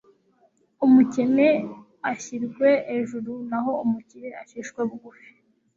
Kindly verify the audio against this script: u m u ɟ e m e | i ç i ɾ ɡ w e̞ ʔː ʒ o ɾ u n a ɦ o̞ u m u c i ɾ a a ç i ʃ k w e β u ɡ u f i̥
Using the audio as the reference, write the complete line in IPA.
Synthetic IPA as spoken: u m u c e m e | a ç i ɾ ɡ w e̞ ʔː ʒ u ɾ u n a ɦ o̞ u m u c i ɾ e a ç i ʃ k w e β u ɡ u f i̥